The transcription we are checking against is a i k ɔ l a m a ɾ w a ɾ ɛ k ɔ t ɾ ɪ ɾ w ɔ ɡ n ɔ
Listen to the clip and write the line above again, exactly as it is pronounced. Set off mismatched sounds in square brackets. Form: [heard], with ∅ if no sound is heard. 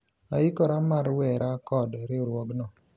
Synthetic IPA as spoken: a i k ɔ [ɾ] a m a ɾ w [ɛ] ɾ [a] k ɔ [d] ɾ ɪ ɾ w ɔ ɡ n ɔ

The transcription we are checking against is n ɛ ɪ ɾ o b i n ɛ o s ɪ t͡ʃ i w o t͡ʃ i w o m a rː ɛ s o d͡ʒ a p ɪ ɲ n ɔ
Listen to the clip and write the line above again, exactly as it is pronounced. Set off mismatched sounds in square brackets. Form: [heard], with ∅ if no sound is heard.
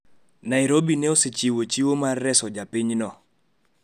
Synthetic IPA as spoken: n [a] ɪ ɾ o b i n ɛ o s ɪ t͡ʃ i w o t͡ʃ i w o m a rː ɛ s [ɔ] d͡ʒ a p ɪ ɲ n ɔ

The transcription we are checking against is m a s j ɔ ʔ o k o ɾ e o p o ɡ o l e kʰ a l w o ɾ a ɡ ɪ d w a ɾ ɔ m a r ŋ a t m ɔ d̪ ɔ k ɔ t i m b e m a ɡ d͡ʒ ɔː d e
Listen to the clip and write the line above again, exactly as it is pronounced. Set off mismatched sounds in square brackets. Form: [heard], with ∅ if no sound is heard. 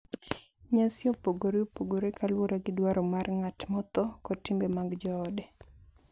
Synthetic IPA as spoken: [ɲ] a s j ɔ [p] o [ɡ] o ɾ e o p o ɡ o [ɾ] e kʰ a l w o ɾ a ɡ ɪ d w a ɾ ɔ m a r ŋ a t m ɔ [t̪] ɔ k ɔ t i m b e m a ɡ d͡ʒ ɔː d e

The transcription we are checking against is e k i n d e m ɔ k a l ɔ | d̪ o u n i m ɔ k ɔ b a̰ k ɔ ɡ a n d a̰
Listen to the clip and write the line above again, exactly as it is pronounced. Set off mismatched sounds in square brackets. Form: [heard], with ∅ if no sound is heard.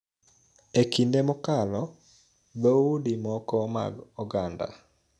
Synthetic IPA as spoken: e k i n d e m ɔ k a l ɔ | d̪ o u [d] i m ɔ k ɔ [m] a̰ [ɡ] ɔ ɡ a n d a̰

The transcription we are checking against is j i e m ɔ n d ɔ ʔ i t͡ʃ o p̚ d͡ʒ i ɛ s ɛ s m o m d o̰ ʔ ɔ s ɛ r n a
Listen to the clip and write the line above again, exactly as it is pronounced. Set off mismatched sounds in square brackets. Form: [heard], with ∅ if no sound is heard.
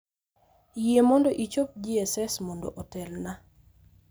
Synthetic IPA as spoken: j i e m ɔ n d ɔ ʔ i t͡ʃ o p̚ d͡ʒ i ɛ s ɛ s m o [n] d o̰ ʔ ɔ [t] ɛ [l] n a

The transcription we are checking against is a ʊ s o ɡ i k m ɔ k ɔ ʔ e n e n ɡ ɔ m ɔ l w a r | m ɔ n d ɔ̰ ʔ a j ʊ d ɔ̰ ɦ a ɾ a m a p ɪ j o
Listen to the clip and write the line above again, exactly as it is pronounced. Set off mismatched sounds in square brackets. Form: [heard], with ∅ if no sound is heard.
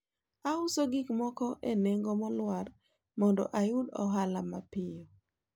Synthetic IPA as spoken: a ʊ s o ɡ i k m ɔ k ɔ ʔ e n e [ŋ] ɡ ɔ m ɔ l w a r | m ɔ n d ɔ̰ ʔ a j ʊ d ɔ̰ ɦ a [l] a m a p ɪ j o

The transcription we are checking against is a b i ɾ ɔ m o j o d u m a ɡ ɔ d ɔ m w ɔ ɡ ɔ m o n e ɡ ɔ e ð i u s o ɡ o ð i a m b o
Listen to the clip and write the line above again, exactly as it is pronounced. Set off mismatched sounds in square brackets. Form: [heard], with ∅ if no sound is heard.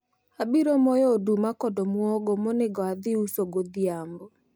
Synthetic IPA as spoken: a b i ɾ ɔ m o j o d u m a [k] ɔ d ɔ m w ɔ ɡ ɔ m o n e ɡ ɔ [a] ð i u s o ɡ o ð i a m b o

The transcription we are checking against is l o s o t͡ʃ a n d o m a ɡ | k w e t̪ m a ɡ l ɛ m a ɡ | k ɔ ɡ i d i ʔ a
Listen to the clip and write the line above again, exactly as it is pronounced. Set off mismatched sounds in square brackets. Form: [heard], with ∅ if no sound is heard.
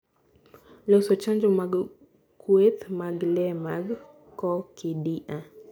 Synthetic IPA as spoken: l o s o t͡ʃ a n [d͡ʒ] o m a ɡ | k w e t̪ m a ɡ l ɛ m a ɡ | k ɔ [k] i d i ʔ a

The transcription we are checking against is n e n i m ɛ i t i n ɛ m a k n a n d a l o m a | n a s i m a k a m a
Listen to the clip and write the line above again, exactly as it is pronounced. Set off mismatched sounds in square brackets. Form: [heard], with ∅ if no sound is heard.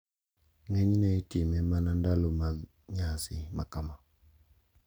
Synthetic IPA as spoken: [ŋ] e [ɲ] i [n] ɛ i t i [m] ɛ m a [∅] n a n d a l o m a | [ɲ] a s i m a k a m a

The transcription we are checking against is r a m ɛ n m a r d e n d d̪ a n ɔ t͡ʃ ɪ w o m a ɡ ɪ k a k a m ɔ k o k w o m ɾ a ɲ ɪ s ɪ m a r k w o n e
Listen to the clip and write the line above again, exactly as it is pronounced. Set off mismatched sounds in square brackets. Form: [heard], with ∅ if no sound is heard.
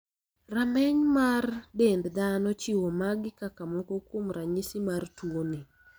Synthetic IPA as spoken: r a m ɛ [ɲ] m a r d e n d d̪ a n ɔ t͡ʃ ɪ w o m a ɡ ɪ k a k a m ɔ k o k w o m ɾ a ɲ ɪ s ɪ m a r [t] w o n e

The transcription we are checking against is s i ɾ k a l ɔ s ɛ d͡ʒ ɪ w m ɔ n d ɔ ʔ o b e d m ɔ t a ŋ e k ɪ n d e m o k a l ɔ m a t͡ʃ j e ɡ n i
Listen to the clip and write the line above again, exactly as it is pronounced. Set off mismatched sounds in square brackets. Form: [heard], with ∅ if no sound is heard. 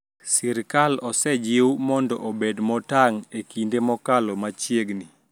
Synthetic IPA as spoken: s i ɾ k a l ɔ s ɛ d͡ʒ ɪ w m ɔ n d ɔ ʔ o b e d m ɔ t a ŋ e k [i] n d e m [ɔ] k a l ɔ m a t͡ʃ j e ɡ n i

